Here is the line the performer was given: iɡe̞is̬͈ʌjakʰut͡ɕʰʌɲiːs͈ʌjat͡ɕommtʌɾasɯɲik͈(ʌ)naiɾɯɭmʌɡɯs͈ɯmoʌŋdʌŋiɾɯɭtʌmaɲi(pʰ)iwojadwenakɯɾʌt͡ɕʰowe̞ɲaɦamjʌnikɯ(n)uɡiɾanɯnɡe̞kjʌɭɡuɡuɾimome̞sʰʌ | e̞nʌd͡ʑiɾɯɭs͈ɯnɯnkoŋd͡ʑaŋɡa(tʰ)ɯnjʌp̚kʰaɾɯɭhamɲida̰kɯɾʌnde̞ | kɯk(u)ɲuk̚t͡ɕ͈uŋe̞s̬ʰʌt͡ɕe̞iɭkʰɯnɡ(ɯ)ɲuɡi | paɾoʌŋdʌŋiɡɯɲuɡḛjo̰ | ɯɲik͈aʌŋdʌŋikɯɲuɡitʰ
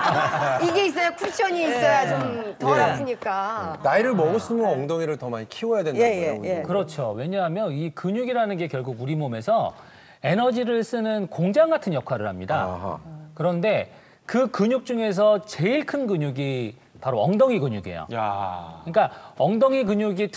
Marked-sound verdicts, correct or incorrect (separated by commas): incorrect, incorrect, incorrect, correct, incorrect, correct